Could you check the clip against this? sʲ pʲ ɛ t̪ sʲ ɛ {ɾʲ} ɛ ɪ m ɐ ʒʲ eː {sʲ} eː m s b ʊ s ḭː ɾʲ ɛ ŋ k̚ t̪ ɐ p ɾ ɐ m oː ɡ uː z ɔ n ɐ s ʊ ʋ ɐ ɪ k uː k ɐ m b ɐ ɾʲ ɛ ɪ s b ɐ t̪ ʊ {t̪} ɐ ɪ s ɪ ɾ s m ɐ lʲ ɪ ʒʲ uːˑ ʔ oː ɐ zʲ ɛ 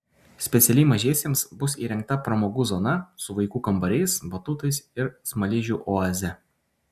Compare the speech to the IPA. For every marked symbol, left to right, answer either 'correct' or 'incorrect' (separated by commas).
incorrect, correct, correct